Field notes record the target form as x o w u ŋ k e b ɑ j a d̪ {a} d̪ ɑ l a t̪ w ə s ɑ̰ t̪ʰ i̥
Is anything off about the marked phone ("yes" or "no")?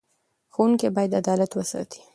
no